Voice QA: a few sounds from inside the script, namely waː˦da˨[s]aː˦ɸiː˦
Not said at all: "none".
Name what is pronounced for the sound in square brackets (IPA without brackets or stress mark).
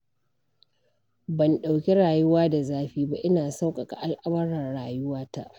z